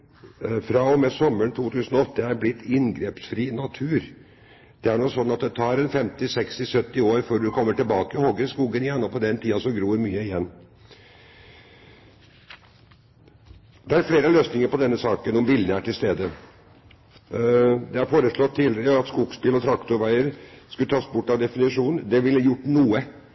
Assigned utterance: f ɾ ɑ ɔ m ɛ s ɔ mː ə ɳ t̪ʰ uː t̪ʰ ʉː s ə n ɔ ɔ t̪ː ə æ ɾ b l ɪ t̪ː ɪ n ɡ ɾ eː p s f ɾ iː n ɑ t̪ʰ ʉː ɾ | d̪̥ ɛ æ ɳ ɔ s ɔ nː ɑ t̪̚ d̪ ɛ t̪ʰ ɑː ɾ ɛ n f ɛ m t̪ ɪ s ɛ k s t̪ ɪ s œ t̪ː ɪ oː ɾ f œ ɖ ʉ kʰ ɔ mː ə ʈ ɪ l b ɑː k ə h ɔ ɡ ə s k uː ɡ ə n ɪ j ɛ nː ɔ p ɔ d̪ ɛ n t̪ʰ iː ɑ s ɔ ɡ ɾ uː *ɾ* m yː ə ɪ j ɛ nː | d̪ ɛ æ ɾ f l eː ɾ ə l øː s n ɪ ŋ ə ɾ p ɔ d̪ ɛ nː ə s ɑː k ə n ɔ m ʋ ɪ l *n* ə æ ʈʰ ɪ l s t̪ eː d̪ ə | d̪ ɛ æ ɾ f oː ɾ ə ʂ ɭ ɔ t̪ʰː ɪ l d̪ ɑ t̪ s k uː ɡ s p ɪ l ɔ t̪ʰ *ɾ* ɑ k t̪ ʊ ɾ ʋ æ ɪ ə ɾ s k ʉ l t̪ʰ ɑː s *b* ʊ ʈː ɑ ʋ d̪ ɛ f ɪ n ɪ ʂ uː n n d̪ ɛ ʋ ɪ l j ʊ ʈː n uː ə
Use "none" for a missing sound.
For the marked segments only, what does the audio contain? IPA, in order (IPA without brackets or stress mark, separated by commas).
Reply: ɾ, n, ɾ, b